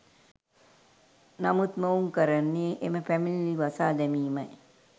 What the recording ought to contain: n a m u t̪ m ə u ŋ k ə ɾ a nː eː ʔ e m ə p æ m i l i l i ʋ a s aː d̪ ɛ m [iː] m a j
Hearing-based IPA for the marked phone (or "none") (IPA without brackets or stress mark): iː